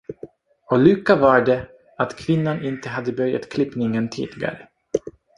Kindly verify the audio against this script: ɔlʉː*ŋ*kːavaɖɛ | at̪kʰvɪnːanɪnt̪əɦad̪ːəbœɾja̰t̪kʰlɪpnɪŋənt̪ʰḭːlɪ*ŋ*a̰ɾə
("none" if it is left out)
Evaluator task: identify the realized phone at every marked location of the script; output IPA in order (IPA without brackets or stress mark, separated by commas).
none, ɡ